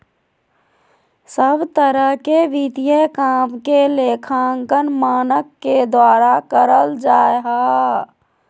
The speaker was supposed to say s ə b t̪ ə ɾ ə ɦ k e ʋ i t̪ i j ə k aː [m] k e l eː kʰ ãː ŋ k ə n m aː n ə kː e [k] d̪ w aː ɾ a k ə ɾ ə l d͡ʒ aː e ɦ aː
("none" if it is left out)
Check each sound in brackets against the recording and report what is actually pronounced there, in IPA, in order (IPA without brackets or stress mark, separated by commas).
m, none